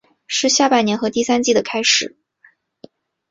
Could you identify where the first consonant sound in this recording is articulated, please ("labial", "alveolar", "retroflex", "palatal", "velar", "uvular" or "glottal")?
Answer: retroflex